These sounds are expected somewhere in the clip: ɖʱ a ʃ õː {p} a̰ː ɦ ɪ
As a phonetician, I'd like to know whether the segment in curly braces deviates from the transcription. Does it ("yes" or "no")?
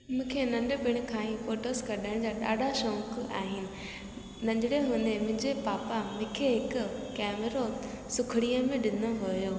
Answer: yes